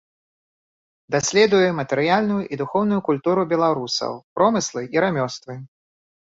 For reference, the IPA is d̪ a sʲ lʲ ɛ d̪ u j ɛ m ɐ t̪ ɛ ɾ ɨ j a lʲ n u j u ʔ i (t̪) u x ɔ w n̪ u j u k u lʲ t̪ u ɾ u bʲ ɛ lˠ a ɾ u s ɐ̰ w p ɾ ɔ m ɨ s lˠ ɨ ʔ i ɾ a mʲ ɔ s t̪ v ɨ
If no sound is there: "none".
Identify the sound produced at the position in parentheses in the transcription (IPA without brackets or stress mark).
d̪